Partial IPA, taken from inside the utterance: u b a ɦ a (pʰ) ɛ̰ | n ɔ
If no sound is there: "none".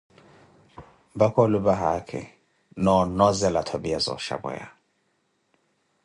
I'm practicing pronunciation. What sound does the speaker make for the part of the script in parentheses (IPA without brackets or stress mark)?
kʰ